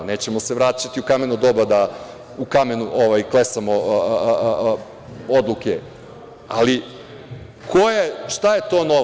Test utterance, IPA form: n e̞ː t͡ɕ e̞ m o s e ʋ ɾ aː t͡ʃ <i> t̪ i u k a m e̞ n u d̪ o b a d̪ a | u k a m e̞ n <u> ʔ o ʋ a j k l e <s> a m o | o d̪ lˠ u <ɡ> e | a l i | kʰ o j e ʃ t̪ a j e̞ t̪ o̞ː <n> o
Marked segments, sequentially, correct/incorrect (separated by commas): incorrect, correct, correct, incorrect, correct